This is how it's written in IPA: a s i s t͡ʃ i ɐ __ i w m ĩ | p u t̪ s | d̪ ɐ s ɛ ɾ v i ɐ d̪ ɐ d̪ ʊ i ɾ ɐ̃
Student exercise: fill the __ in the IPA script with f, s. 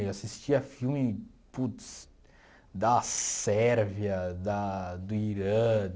f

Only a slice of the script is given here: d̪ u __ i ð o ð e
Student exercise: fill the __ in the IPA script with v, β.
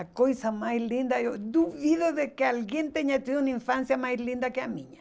β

